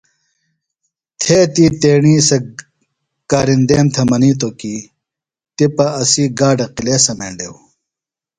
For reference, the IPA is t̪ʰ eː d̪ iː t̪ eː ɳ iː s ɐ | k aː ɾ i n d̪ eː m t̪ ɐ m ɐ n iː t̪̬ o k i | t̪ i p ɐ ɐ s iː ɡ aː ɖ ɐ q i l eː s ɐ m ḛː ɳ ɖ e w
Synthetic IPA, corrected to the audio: t̪ʰ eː t̪ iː t̪ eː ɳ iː s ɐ | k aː ɾ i n d̪ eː m t̪ʰ ɐ m ɐ n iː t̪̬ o k i | t̪ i p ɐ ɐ s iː ɡ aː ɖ ɐ q i l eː s ɐ m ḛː ɳ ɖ e w